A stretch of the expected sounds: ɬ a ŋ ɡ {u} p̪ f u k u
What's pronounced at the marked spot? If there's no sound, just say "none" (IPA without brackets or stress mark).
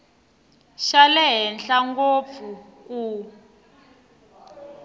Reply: o